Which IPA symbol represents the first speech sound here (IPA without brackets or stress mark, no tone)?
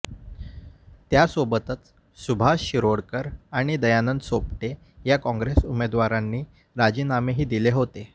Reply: t̪